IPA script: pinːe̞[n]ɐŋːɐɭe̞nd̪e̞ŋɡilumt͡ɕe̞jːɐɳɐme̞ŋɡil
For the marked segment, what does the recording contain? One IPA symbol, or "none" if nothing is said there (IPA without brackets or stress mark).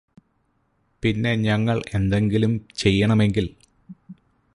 ɲ